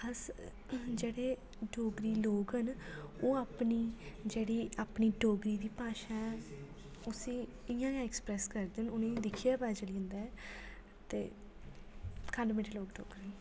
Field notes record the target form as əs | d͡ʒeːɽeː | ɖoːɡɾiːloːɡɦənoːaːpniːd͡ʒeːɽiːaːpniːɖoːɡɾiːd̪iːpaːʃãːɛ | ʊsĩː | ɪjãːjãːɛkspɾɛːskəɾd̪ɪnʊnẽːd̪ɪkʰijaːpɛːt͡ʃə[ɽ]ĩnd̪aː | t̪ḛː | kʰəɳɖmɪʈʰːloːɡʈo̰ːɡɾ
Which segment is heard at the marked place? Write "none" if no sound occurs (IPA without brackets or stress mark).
l